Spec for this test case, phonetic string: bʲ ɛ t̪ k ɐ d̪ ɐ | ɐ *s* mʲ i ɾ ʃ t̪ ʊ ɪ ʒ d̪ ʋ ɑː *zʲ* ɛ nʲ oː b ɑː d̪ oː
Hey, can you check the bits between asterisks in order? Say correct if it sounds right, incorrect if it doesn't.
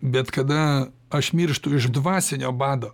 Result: incorrect: ʃ, incorrect: sʲ

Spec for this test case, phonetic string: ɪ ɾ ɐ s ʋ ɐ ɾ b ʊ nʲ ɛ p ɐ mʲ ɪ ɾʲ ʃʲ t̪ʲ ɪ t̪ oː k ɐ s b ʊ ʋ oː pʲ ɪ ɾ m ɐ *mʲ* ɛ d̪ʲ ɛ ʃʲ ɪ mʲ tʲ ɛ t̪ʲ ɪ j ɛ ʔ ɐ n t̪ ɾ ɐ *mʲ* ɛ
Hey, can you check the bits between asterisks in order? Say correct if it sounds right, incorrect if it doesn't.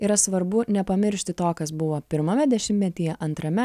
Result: correct, correct

